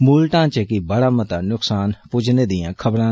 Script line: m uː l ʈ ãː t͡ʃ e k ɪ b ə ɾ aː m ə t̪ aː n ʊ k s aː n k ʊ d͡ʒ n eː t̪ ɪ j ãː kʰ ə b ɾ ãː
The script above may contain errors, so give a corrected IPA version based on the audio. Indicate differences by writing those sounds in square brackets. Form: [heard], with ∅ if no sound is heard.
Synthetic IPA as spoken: m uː l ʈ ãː t͡ʃ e k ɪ b ə [ɽ] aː m ə t̪ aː n ʊ k s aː n [p] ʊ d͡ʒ n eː [d̪] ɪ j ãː kʰ ə b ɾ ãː